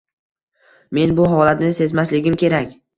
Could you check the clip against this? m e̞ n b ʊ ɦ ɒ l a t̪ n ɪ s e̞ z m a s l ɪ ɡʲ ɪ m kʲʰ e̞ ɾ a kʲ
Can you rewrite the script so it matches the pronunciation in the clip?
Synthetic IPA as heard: m e̞ n b ʊ ɦ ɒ l a t̪ n ɪ s e̞ z m a s l ɪ ɡʲ ɪ m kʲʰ e̞ ɾ a kʲ